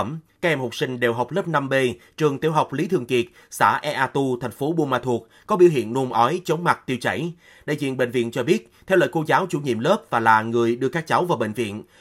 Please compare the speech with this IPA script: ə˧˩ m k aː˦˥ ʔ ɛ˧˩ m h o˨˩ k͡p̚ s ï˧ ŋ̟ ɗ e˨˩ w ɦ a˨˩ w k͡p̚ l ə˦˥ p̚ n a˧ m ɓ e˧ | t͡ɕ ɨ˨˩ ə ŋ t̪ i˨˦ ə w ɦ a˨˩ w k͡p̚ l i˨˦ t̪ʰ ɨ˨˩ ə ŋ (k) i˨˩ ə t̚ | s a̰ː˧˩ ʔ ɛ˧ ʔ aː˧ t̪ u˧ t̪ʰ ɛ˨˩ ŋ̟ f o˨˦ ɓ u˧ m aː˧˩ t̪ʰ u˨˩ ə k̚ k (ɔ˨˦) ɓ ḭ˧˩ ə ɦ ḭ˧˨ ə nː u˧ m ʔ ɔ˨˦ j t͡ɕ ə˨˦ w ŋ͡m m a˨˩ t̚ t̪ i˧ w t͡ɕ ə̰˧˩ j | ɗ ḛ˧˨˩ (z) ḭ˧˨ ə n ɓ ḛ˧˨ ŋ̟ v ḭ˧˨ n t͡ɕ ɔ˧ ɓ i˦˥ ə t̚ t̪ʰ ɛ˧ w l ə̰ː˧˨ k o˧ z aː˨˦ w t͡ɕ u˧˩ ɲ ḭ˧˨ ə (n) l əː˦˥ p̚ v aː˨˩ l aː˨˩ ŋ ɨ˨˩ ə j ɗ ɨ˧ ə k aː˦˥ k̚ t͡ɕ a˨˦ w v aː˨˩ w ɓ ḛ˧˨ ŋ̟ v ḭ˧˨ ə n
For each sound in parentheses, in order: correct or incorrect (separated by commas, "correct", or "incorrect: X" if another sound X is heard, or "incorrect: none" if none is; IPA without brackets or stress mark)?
correct, correct, correct, incorrect: m